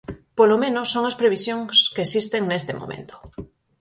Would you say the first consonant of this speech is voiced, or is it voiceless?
voiceless